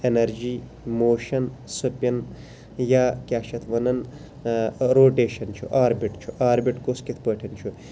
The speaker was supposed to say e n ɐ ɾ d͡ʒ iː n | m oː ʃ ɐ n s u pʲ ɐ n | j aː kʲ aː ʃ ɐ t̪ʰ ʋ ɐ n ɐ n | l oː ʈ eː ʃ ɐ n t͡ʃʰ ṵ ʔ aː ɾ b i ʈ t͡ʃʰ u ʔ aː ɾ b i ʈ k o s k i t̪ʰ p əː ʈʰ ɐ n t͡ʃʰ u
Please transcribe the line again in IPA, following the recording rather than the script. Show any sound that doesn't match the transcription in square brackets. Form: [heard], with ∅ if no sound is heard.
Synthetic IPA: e n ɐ ɾ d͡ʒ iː [∅] | m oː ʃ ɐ n s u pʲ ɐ n | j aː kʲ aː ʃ ɐ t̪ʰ ʋ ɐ n ɐ n | [ɾ] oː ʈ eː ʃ ɐ n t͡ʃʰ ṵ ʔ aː ɾ b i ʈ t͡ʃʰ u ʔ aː ɾ b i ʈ k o s k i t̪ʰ p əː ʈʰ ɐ n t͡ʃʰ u